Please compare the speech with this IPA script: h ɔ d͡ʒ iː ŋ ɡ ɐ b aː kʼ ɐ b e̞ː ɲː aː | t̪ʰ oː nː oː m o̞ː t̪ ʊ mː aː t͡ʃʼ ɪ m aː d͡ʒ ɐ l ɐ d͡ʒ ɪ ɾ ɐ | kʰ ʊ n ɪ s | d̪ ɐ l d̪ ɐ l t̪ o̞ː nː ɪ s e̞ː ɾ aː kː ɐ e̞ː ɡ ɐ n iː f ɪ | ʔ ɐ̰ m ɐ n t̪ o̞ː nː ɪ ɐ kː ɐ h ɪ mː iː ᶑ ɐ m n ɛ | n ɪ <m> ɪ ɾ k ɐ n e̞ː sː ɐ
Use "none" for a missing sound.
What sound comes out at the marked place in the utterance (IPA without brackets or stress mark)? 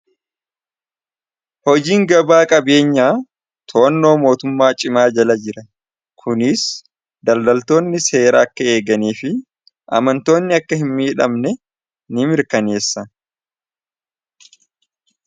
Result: m